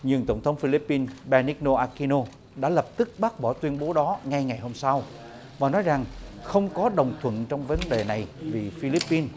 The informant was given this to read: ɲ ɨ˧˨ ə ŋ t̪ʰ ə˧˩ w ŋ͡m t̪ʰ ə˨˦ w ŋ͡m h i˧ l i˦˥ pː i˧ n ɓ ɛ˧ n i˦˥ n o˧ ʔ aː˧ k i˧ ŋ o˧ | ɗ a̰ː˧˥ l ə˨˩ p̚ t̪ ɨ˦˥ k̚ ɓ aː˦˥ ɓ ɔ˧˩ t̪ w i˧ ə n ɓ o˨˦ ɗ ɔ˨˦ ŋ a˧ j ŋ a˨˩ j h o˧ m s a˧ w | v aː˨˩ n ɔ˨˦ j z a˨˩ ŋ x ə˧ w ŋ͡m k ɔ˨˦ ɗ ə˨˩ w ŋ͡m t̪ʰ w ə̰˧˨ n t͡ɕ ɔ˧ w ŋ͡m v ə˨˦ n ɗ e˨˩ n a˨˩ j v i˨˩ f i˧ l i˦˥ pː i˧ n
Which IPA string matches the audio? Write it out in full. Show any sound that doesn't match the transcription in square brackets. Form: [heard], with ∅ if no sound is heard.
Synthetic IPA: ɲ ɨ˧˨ ə ŋ [t̪] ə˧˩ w ŋ͡m t̪ʰ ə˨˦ w ŋ͡m [f] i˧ l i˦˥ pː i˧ n ɓ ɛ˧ n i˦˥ n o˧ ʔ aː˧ k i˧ [n] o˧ | ɗ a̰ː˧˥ l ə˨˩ p̚ t̪ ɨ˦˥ k̚ ɓ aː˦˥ ɓ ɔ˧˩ t̪ w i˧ ə n ɓ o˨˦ ɗ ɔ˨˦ ŋ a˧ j ŋ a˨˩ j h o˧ m s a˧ w | v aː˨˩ n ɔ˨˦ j z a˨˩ ŋ x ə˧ w ŋ͡m k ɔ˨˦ ɗ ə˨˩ w ŋ͡m t̪ʰ w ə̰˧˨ n t͡ɕ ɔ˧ w ŋ͡m v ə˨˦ n ɗ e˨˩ n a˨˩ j v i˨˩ f i˧ l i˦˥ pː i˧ n